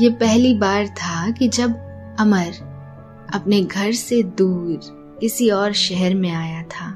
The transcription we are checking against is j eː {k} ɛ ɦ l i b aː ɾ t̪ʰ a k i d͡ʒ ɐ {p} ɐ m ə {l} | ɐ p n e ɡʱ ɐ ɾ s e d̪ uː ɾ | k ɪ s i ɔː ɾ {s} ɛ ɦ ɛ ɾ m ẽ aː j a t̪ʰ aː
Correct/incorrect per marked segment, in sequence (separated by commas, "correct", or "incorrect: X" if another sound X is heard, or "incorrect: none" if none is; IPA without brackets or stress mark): incorrect: p, incorrect: b, incorrect: ɾ, incorrect: ʃ